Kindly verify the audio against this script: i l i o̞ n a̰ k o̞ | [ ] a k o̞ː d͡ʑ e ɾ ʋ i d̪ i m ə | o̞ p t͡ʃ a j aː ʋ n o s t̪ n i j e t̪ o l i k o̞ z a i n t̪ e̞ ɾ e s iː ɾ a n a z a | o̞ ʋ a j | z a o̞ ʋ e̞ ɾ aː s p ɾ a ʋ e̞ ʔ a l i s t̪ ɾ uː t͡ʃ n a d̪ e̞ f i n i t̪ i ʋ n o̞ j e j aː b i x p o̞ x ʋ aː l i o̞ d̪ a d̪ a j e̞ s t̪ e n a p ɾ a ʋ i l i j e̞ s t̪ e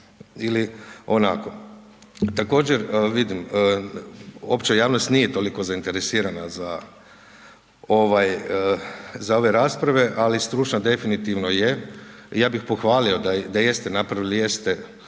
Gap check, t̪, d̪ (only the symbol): t̪